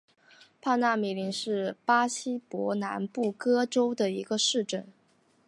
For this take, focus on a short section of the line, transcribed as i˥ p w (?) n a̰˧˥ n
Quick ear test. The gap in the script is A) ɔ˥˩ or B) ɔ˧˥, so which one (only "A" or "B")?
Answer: B